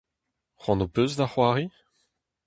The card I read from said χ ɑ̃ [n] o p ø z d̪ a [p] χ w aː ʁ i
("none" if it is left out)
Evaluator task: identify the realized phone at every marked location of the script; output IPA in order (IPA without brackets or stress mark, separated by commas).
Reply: n, none